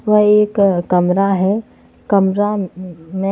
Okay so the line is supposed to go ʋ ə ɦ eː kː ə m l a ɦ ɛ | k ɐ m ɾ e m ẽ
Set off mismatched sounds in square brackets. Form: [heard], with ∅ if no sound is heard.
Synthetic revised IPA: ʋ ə ɦ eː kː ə m [ɾ] a ɦ ɛ | k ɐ m ɾ [a] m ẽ